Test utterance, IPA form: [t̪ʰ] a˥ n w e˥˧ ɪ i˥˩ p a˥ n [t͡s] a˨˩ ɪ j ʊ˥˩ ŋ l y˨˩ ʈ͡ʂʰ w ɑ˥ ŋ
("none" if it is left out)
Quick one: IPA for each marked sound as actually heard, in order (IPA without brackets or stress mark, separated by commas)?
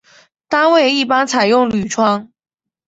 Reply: t̪, t͡sʰ